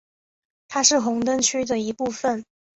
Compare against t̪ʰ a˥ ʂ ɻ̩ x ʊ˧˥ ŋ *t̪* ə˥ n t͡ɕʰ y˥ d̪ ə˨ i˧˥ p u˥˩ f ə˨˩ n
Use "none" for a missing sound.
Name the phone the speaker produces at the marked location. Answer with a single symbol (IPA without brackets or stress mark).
t̪